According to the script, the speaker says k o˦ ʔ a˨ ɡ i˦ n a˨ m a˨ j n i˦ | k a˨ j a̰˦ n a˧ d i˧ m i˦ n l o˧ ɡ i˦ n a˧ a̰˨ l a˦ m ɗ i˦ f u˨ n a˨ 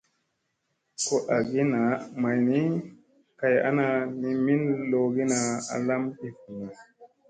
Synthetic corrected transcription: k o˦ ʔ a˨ ɡ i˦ n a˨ m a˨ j n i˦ | k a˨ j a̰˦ n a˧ n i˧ m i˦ n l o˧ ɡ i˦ n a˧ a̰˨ l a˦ m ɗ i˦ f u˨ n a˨